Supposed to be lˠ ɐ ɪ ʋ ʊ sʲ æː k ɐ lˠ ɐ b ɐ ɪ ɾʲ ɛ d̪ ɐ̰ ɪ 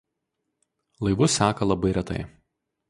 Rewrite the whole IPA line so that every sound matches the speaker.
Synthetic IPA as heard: lˠ ɐ ɪ ʋ ʊ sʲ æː k ɐ lˠ ɐ b ɐ ɪ ɾʲ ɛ t̪ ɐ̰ ɪ